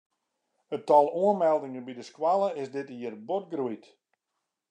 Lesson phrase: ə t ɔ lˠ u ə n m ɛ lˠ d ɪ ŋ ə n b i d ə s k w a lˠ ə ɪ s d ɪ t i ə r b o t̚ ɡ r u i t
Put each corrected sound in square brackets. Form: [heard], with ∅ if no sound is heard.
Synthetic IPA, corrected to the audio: ə t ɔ lˠ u ə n m ɛ lˠ d ɪ ŋ ə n b i d ə s k w a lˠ ə ɪ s d ɪ t i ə r b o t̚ ɡ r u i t

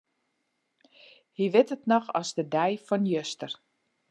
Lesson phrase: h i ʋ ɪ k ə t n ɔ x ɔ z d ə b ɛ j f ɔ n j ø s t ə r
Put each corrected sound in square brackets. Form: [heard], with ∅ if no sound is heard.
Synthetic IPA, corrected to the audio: h i ʋ ɪ [t] ə t n ɔ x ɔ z d ə [d] ɛ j f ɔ n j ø s t ə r

